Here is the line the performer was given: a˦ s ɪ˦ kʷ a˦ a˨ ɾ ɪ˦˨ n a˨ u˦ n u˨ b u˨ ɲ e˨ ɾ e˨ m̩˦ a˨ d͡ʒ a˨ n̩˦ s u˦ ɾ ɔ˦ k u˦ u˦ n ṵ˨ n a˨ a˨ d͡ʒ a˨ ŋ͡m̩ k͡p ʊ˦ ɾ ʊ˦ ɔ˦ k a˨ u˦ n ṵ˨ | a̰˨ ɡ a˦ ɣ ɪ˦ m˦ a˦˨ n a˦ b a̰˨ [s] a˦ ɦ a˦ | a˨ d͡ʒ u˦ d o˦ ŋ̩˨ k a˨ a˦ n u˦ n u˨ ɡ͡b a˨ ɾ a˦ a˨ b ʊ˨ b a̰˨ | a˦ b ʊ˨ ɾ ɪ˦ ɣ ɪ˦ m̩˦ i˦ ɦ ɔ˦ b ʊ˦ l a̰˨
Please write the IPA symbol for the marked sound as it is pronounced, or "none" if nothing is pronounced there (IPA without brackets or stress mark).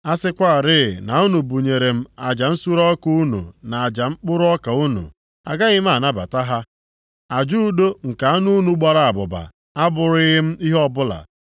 t